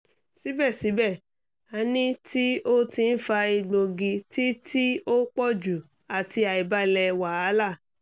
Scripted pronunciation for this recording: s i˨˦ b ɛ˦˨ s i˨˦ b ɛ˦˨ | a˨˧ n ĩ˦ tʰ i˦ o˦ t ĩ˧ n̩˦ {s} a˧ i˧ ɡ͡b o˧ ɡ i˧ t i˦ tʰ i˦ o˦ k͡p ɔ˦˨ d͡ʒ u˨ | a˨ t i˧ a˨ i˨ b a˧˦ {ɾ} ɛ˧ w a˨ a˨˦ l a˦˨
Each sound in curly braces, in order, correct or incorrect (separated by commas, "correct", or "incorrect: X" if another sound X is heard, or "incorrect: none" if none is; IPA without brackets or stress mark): incorrect: f, incorrect: l